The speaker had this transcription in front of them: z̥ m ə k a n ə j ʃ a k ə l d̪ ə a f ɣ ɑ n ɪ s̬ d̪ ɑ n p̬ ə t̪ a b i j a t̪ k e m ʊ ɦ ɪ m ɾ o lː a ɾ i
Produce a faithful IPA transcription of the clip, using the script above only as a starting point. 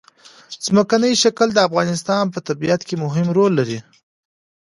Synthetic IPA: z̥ m ə k a n ə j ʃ a k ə l d̪ ə a f ɣ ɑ n ɪ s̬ t̪ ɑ n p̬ ə t̪ a b i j a t̪ k e m ʊ ɦ ɪ m ɾ o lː a ɾ i